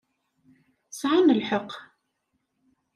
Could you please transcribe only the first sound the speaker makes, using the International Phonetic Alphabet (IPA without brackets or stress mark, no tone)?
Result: s